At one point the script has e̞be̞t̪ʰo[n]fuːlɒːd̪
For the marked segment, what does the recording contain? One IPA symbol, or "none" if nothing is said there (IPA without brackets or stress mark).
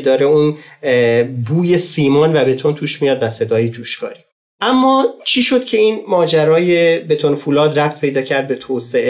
n